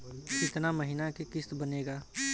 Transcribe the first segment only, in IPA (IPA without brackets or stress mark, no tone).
ɪ